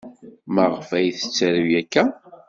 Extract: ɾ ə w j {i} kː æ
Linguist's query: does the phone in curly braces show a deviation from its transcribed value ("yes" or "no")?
yes